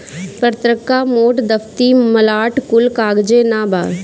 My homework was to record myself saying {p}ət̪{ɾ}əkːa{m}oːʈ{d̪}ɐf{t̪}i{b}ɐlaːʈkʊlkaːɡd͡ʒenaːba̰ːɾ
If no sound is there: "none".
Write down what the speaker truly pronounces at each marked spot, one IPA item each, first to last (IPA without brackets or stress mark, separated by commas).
p, ɾ, m, d̪, t̪, m